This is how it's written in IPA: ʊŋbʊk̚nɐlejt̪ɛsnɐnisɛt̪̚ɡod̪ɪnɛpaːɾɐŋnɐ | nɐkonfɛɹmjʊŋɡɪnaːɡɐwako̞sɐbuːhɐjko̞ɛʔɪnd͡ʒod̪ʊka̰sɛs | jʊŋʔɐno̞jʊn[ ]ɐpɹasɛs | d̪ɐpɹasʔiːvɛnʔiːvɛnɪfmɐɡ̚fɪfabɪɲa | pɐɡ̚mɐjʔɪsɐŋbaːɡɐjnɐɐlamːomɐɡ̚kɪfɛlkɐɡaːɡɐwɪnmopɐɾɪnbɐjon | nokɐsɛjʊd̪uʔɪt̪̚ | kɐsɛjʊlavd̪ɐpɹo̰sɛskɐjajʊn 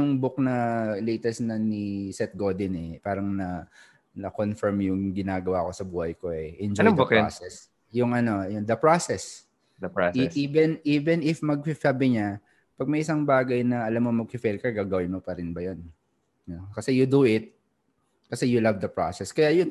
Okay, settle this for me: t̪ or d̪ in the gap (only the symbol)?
d̪